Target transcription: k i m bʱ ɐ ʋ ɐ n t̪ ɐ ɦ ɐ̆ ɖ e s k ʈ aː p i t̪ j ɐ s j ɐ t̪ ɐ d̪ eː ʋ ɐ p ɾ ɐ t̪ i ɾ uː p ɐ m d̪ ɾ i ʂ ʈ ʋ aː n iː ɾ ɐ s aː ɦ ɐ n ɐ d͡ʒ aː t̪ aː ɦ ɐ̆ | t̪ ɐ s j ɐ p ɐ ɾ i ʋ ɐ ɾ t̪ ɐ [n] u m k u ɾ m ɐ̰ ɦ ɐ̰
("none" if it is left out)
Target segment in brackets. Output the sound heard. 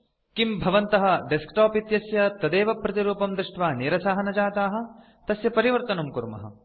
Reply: n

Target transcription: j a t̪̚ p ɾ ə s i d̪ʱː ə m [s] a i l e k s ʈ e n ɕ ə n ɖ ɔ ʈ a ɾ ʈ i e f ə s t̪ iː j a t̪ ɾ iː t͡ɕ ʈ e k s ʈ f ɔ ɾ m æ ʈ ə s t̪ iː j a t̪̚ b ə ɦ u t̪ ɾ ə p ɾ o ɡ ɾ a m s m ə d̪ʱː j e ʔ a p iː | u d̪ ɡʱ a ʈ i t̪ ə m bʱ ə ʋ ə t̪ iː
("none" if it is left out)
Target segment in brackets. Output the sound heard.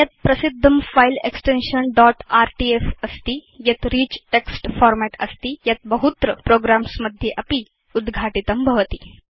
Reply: f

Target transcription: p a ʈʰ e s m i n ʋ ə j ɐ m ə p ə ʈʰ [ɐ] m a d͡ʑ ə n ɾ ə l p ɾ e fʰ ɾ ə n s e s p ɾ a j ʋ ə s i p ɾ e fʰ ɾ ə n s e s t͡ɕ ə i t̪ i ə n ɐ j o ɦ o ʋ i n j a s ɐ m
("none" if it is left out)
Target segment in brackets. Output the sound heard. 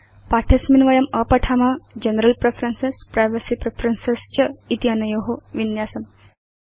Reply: a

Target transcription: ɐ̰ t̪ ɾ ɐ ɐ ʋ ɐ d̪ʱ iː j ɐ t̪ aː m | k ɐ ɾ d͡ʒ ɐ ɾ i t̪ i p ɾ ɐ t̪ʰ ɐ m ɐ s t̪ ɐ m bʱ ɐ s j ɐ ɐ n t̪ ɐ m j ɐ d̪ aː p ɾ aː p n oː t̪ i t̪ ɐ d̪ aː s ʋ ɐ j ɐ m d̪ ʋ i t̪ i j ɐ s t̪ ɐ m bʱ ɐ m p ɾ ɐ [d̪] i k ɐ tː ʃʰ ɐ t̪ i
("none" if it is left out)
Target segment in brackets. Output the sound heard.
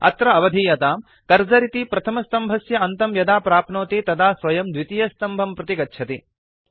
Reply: t̪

